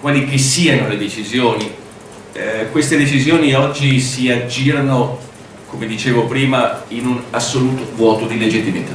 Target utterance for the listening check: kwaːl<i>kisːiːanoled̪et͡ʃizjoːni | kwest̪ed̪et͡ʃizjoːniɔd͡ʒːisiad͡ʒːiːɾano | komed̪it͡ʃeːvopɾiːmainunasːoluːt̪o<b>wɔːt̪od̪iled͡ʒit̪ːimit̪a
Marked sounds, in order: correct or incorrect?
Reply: correct, incorrect: v

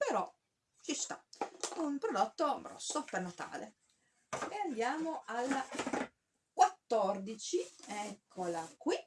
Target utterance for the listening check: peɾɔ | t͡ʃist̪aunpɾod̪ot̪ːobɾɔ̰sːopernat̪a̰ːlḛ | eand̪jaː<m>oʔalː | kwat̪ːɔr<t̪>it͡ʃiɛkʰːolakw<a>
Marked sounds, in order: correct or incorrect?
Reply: correct, incorrect: d̪, incorrect: i

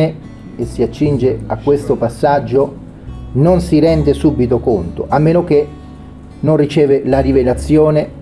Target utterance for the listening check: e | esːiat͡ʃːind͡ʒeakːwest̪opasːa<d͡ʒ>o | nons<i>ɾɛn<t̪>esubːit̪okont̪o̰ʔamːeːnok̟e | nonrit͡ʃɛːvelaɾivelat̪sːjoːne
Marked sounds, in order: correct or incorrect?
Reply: incorrect: d͡ʒː, correct, incorrect: d̪

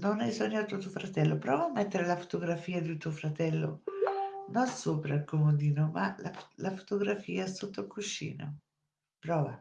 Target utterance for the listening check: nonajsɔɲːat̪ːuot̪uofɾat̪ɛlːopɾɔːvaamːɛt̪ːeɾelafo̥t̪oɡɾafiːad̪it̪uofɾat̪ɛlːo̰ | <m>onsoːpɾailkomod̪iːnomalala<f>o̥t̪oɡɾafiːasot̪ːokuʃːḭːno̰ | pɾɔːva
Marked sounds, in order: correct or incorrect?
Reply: incorrect: n, correct

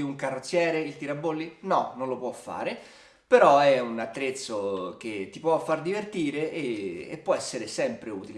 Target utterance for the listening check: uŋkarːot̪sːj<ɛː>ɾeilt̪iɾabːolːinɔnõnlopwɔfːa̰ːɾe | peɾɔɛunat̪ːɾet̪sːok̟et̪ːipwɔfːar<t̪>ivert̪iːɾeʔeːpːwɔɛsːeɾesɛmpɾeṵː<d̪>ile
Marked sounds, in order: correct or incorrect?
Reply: correct, incorrect: d̪, incorrect: t̪

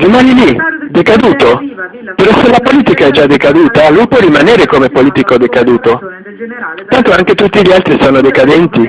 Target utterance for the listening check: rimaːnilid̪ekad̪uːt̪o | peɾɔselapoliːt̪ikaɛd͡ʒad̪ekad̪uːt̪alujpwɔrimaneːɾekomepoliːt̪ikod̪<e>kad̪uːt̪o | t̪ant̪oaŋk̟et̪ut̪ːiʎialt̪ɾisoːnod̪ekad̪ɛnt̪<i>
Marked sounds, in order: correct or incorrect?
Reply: correct, correct

